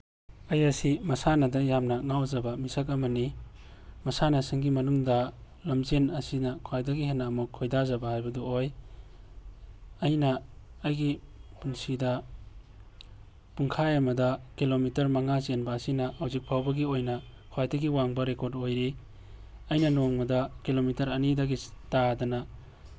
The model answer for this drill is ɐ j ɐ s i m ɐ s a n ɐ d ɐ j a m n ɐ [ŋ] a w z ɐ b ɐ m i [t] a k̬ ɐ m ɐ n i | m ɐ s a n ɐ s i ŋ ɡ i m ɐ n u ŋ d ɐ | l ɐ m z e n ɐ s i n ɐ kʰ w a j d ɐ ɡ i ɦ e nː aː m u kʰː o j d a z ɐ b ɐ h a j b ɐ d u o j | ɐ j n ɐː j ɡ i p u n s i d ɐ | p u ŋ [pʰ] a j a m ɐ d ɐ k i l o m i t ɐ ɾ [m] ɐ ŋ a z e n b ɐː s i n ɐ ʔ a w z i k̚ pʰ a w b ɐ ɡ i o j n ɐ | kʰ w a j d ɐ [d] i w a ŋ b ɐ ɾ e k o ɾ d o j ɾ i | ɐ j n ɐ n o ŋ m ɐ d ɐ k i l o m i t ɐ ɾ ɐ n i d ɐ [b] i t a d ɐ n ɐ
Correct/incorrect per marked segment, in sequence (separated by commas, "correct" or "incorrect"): correct, incorrect, incorrect, correct, incorrect, incorrect